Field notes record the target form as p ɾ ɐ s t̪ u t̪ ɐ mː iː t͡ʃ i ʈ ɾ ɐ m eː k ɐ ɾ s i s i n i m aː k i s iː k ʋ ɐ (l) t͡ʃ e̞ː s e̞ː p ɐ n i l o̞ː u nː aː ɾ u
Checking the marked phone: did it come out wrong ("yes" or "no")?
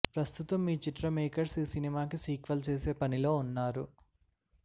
no